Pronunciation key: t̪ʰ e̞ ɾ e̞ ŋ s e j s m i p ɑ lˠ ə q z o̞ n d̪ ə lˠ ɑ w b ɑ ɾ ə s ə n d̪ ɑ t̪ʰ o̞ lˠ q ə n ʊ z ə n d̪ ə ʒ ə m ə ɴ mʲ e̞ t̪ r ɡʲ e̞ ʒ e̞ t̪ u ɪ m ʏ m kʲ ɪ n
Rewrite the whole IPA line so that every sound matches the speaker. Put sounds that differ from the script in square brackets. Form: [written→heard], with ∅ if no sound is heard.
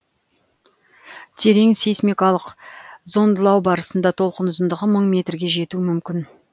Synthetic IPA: t̪ʰ e̞ ɾ e̞ ŋ s e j s m i [p→k] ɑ lˠ ə q z o̞ n d̪ ə lˠ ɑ w b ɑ ɾ ə s ə n d̪ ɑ t̪ʰ o̞ lˠ q ə n ʊ z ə n d̪ ə [ʒ→ʁ] ə m ə ɴ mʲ e̞ t̪ r ɡʲ e̞ ʒ e̞ t̪ u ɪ m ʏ m kʲ ɪ n